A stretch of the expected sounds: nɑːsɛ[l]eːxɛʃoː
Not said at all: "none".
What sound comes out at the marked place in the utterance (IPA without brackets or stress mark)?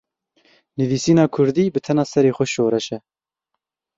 ɾ